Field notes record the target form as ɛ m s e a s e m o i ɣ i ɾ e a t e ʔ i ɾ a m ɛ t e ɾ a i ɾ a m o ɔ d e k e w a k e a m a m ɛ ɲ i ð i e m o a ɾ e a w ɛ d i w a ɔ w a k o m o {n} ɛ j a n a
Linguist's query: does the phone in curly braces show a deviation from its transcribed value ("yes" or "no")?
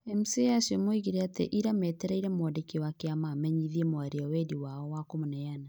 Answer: no